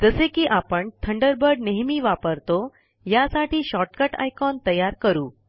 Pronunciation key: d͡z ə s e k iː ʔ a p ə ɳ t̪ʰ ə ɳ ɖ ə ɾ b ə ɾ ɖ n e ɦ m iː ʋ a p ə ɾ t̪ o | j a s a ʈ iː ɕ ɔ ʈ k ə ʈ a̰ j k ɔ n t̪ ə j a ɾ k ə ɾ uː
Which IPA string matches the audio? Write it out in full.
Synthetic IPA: d͡z ə s e k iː ʔ a p ə ɳ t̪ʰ ə ɳ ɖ ə ɾ b ə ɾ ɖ n e ɦ m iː ʋ a p ə ɾ t̪ o | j a s a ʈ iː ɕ ɔ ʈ k ə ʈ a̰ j k ɔ n t̪ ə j a ɾ k ə ɾ uː